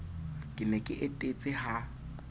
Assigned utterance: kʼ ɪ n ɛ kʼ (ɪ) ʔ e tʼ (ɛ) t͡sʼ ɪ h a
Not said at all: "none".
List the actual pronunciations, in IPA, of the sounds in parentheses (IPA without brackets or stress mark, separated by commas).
ɪ, e